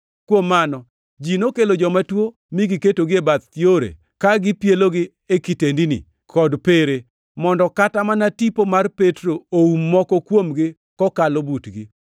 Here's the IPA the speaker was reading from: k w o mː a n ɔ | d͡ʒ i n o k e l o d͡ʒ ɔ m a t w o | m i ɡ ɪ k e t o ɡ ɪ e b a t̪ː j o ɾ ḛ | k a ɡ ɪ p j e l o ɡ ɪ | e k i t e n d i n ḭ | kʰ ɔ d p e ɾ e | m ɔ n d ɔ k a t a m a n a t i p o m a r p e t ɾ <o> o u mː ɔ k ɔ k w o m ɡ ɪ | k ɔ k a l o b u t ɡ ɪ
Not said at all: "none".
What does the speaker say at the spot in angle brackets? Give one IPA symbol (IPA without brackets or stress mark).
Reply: o